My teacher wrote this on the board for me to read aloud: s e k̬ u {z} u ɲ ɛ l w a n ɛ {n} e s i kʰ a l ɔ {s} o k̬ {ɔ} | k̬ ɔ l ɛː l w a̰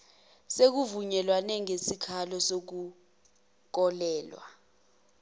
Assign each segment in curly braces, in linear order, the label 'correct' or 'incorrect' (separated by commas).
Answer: incorrect, incorrect, correct, incorrect